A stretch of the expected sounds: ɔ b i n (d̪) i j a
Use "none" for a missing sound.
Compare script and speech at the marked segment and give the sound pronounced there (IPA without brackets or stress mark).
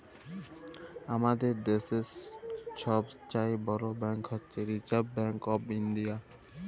d̪